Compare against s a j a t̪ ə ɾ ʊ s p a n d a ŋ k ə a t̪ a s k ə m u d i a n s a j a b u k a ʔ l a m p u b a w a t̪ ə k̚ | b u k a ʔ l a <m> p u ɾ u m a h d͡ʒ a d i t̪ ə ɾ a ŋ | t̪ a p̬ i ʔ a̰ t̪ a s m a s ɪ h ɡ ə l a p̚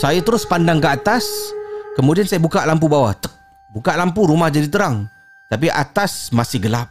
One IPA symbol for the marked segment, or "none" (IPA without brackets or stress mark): m